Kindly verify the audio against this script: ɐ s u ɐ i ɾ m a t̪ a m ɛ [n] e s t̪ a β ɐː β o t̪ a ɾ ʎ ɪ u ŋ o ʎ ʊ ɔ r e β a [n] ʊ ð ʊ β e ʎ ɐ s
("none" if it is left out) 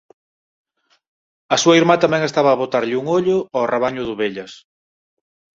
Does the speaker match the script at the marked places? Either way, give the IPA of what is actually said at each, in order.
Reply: ŋ, ɲ

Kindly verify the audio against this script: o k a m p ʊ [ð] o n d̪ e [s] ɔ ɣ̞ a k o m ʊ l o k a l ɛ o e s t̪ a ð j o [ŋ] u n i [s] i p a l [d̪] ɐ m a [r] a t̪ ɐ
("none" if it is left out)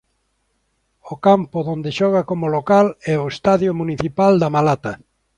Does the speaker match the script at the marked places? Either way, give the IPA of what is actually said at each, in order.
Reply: ð, ʃ, m, θ, d̪, l

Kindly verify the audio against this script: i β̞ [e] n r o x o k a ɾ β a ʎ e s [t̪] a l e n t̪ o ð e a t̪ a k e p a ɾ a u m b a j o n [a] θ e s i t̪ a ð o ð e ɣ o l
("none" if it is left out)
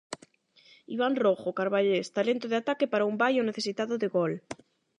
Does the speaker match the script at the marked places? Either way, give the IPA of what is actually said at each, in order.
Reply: a, t̪, e

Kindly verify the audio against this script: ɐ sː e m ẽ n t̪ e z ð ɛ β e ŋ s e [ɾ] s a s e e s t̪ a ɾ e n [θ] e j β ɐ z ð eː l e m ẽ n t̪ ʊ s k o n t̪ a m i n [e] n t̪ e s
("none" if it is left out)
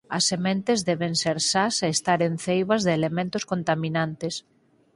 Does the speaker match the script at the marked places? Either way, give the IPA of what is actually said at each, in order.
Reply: ɾ, θ, a

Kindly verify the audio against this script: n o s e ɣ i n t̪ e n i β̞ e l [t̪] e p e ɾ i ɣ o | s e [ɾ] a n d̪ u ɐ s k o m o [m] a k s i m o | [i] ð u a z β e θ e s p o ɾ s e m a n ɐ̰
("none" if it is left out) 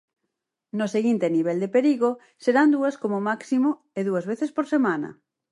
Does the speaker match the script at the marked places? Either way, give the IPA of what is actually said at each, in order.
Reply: d̪, ɾ, m, e

